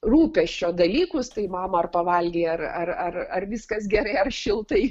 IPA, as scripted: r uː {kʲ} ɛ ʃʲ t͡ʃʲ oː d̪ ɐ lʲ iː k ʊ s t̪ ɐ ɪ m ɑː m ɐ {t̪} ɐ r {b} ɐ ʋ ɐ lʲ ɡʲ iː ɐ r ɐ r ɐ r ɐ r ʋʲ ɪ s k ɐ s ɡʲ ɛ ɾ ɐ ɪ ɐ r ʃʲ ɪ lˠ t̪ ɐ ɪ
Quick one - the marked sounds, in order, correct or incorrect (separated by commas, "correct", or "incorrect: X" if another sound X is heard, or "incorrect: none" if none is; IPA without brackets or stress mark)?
incorrect: pʲ, incorrect: none, incorrect: p